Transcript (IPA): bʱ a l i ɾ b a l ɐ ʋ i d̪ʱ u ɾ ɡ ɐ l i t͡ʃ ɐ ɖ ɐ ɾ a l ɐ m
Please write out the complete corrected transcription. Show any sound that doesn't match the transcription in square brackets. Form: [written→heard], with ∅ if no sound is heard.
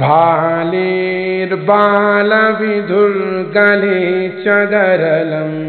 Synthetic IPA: bʱ a l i ɾ b a l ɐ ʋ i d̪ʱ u ɾ ɡ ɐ l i t͡ʃ ɐ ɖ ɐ ɾ [a→ɐ] l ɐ m